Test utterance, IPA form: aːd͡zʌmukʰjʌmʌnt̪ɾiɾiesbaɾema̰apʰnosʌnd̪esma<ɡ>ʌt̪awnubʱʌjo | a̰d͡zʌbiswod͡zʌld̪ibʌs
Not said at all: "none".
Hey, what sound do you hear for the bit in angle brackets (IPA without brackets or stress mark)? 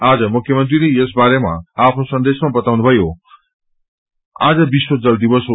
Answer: b